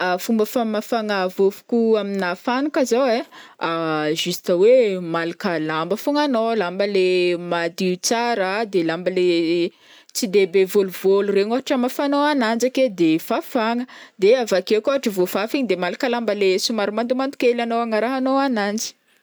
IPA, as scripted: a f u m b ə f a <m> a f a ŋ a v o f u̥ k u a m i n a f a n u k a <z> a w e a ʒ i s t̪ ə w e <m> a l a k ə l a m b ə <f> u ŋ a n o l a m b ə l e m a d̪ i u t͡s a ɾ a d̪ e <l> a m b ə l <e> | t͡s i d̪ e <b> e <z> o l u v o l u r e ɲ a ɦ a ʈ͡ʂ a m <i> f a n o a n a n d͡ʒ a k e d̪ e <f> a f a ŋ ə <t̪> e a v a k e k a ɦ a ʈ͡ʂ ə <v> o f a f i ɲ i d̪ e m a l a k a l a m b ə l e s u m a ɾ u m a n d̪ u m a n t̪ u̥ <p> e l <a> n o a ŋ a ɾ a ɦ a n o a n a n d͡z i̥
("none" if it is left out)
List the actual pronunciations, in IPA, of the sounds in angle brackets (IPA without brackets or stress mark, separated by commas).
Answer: m, z, m, f, l, e, b, v, a, f, d̪, v, k, a